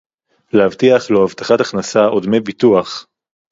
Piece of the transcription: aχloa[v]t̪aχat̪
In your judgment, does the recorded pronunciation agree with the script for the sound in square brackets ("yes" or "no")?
yes